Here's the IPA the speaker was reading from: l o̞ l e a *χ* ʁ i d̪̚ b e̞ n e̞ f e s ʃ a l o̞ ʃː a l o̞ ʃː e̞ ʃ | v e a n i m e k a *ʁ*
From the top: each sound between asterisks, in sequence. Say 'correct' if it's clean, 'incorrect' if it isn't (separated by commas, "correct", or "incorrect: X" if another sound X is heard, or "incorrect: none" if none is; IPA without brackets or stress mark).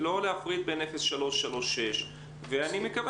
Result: incorrect: f, incorrect: v